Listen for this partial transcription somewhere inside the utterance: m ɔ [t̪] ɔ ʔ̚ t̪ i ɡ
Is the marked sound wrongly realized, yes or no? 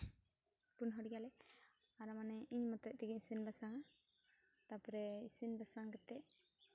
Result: no